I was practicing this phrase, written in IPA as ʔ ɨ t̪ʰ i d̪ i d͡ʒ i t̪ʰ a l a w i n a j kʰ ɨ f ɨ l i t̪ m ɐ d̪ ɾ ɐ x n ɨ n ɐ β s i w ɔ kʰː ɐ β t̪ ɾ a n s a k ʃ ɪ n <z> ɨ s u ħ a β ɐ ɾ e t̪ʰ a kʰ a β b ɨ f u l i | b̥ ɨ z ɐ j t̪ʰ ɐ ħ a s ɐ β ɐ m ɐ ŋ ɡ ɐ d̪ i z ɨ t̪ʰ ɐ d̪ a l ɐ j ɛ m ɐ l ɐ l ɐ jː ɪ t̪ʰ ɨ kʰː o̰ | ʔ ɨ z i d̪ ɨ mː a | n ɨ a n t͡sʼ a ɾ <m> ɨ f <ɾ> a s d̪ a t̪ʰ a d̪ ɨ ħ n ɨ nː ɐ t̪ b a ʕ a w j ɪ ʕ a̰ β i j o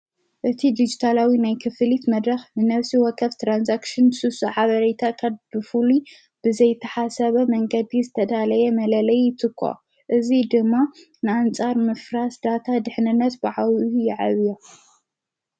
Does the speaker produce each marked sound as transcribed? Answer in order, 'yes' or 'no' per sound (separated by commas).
no, yes, yes